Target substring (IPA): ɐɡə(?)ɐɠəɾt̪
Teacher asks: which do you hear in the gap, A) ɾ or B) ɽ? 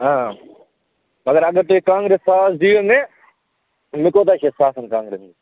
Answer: A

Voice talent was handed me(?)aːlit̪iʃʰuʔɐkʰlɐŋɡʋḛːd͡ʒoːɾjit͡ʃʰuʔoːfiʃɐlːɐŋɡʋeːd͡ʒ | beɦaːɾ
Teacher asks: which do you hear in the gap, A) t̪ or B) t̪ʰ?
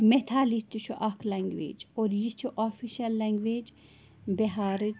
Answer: B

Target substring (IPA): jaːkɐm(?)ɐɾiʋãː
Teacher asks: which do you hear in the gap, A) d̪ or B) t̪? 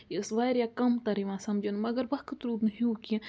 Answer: B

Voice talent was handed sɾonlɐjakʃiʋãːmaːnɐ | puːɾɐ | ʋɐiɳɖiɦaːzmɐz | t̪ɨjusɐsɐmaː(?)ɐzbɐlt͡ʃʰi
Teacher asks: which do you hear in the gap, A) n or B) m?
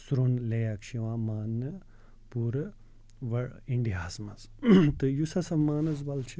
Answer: A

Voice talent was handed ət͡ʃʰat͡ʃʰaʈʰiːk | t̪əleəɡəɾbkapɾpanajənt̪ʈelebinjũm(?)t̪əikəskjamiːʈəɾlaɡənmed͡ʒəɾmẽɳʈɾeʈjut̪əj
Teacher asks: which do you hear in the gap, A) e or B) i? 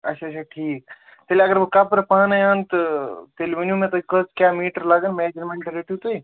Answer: A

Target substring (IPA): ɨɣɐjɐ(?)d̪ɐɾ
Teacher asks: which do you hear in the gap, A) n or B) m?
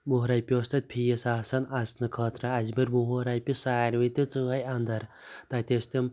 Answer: A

